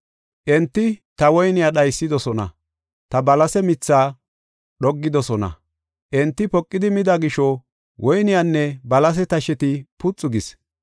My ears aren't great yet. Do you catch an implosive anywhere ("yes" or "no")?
yes